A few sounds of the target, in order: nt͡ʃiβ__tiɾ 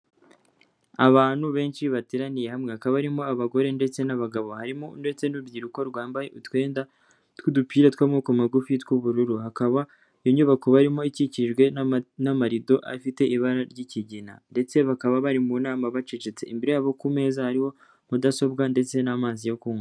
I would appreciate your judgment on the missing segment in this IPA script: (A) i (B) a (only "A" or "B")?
B